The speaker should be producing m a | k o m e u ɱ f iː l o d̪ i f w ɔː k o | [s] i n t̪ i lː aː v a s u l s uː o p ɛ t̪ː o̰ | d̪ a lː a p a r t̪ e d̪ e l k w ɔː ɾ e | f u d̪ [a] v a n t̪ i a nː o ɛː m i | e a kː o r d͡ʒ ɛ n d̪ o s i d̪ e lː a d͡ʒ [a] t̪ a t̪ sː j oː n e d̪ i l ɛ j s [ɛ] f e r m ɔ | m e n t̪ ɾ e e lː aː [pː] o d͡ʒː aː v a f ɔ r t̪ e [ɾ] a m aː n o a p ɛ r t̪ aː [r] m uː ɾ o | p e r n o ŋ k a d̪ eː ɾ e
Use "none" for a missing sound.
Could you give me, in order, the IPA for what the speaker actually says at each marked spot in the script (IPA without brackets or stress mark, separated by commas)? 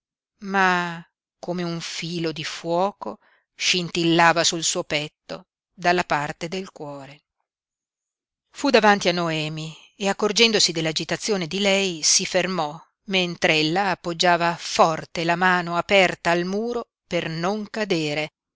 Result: ʃ, a, i, i, pː, l, l